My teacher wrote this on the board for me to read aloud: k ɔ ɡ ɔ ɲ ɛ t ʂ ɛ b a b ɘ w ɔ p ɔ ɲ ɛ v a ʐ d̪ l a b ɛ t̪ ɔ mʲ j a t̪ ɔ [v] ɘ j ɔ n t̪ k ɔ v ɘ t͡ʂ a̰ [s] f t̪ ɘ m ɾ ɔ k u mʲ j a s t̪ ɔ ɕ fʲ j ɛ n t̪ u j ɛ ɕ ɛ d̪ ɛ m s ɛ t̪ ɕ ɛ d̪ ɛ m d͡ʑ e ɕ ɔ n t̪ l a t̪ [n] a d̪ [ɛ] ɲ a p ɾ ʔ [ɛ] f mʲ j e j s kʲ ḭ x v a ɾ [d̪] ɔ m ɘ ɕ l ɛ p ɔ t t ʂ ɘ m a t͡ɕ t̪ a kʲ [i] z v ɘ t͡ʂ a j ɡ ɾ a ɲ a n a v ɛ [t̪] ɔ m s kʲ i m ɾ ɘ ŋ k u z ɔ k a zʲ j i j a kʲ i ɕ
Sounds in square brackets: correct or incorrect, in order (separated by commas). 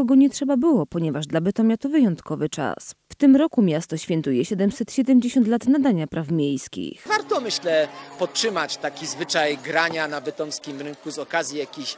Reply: correct, correct, correct, incorrect, incorrect, incorrect, correct, correct